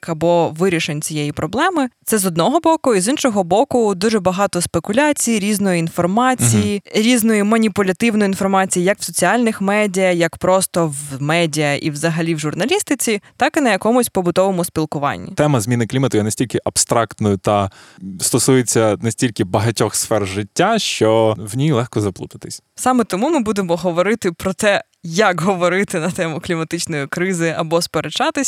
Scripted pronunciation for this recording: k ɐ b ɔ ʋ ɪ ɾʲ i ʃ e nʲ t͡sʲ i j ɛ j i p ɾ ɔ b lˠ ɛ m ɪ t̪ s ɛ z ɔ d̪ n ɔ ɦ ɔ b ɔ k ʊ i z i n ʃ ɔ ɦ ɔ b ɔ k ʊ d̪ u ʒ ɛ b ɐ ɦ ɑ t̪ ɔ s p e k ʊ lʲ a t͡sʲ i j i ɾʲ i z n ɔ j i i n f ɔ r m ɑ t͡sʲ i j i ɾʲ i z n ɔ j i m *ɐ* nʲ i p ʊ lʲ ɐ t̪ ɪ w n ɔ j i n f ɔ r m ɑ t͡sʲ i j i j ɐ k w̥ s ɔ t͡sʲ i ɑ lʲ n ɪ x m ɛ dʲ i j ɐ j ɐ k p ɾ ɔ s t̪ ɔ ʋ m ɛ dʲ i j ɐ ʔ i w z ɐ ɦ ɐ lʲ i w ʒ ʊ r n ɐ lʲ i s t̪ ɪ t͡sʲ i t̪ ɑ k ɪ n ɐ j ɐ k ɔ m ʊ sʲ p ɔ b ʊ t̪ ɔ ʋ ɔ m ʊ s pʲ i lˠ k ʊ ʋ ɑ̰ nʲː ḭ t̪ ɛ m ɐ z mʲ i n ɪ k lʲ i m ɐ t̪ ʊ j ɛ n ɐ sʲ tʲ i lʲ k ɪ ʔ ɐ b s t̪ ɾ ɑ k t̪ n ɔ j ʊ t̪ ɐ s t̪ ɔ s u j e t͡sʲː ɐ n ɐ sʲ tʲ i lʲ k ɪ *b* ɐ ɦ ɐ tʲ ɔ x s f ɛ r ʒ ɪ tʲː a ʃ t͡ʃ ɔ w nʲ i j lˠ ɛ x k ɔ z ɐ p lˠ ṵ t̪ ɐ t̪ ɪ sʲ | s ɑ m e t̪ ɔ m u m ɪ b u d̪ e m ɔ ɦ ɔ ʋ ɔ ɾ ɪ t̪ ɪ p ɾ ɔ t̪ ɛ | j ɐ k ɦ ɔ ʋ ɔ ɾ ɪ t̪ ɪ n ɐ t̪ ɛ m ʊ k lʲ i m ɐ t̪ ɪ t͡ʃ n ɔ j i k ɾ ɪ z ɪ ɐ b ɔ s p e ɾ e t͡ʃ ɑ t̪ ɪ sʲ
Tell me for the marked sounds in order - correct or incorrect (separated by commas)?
correct, correct